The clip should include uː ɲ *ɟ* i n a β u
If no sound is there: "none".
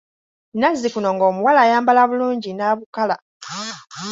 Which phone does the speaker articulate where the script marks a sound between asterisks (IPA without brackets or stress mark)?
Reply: ɟ